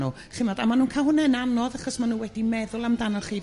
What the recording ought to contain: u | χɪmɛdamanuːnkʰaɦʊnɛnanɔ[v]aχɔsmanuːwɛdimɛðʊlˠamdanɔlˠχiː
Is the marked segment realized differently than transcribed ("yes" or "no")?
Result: yes